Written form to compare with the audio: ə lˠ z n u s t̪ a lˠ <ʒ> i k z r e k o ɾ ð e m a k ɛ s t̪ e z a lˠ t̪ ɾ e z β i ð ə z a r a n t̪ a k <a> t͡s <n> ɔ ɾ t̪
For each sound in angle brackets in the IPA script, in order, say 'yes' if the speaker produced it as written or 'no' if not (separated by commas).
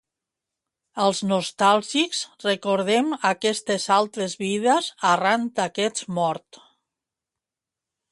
yes, no, no